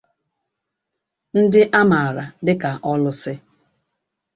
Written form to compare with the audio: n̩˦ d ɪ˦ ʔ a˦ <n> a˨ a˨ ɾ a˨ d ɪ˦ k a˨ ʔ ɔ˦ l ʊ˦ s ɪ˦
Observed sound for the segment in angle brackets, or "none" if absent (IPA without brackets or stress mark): m